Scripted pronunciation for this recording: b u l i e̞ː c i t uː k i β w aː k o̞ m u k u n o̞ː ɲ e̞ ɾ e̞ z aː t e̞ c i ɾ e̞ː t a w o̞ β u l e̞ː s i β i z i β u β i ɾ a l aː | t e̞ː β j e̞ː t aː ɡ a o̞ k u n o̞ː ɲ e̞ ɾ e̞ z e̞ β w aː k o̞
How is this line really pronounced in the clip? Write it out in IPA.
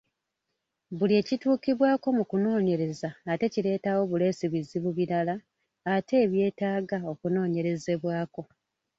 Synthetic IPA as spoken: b u l i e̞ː c i t uː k i β w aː k o̞ m u k u n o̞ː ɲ e̞ ɾ e̞ z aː t e̞ c i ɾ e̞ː t a w o̞ β u l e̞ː s i β i z i β u β i ɾ a l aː | t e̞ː β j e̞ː t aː ɡ a o̞ k u n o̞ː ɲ e̞ ɾ e̞ z e̞ β w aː k o̞